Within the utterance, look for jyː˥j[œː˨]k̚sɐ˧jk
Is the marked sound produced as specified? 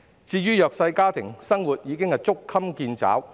yes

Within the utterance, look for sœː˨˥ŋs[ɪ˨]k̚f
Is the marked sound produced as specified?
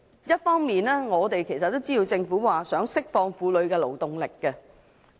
no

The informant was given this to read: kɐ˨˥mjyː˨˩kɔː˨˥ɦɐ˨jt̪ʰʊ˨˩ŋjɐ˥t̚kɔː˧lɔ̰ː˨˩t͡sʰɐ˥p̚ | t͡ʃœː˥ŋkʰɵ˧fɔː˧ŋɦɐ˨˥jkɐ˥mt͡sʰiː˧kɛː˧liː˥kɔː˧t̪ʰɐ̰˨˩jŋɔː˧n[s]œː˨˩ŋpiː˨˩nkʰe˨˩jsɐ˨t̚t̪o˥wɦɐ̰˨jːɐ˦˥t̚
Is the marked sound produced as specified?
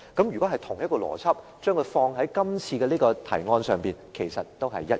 yes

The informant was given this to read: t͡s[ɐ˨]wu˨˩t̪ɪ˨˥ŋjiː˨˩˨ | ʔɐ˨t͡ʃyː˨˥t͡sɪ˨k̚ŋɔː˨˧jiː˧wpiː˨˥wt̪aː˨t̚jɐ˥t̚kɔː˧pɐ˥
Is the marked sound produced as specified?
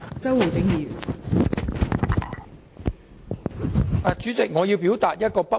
no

